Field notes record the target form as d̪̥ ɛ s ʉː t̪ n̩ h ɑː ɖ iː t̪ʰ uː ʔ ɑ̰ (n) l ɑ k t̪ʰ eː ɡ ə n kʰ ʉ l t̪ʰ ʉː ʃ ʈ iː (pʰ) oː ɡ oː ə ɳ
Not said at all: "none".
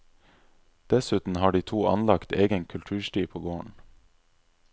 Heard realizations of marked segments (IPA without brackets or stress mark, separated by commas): n, pʰ